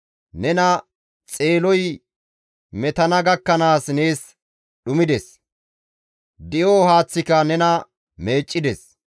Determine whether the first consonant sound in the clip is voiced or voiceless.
voiced